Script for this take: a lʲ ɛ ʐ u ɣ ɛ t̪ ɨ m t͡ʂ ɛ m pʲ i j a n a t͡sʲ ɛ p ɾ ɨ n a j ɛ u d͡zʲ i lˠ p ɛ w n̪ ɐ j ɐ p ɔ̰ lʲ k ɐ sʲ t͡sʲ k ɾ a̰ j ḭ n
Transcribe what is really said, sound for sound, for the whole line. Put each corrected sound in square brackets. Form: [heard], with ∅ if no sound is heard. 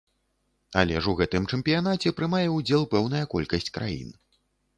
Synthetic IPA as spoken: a lʲ ɛ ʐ u ɣ ɛ t̪ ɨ m t͡ʂ ɛ m pʲ i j a n a t͡sʲ ɛ p ɾ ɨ [m] a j ɛ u d͡zʲ [ɛ] lˠ p ɛ w n̪ ɐ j ɐ [k] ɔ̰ lʲ k ɐ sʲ t͡sʲ k ɾ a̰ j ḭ n